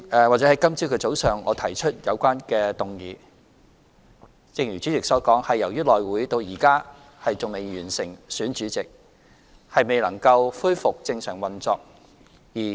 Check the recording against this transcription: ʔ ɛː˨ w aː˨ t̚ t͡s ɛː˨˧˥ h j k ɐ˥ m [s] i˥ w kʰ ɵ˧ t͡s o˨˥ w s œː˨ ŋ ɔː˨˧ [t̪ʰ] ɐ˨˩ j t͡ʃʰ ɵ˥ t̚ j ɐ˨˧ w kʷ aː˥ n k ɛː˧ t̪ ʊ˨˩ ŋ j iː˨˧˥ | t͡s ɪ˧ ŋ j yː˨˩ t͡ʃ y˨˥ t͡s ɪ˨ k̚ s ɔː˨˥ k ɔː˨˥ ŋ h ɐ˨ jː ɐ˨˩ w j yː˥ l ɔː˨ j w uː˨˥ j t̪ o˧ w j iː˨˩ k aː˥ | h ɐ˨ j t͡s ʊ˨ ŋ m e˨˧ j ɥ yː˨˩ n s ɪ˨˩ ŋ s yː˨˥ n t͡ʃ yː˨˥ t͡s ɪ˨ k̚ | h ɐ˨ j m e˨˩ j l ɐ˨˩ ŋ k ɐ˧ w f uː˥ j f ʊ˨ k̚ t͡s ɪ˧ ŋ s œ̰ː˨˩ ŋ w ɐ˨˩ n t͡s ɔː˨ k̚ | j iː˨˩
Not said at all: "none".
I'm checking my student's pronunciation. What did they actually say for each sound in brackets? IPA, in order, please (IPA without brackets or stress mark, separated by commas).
t͡s, t̪ʰ